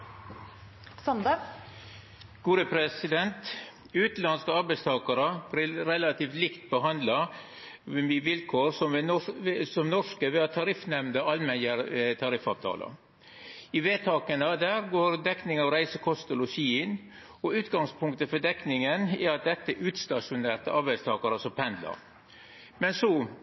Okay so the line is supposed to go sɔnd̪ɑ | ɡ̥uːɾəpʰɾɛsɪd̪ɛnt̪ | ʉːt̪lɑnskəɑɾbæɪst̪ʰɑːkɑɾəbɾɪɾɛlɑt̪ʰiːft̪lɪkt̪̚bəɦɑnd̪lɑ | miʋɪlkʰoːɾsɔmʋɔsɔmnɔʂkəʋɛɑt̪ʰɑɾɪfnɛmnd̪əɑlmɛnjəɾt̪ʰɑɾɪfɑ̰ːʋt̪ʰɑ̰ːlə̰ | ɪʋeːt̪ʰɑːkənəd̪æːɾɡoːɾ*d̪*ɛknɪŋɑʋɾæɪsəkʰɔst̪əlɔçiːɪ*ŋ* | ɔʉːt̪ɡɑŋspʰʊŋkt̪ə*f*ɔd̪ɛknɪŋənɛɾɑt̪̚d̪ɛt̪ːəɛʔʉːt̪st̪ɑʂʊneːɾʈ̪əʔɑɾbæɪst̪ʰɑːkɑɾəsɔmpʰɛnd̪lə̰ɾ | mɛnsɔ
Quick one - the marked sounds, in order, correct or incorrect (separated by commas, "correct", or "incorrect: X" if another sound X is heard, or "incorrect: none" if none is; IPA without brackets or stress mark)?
correct, incorrect: n, correct